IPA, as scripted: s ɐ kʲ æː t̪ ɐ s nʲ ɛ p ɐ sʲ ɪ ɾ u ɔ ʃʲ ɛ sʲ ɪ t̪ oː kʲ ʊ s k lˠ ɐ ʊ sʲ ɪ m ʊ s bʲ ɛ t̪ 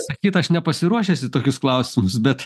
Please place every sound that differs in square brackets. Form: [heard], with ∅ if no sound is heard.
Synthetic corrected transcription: s ɐ kʲ [iː] t̪ ɐ [ʃ] nʲ ɛ p ɐ sʲ ɪ ɾ u ɔ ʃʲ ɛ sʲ ɪ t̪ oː kʲ ʊ s k lˠ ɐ ʊ sʲ ɪ m ʊ s bʲ ɛ t̪